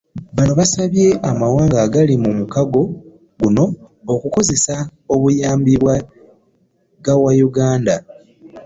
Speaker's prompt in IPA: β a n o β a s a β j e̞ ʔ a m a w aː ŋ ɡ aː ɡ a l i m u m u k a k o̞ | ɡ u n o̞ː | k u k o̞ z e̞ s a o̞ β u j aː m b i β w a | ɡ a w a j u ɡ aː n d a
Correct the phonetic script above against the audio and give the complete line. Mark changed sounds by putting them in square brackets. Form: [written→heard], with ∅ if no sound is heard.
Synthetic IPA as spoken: β a n o β a s a β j e̞ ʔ a m a w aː ŋ ɡ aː ɡ a l i m u m u k a [k→ɡ] o̞ | ɡ u n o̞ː | k u k o̞ z e̞ s a o̞ β u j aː m b i β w a | ɡ a w a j u ɡ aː n d a